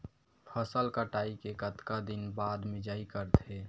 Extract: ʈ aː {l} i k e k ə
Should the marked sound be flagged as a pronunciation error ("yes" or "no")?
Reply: yes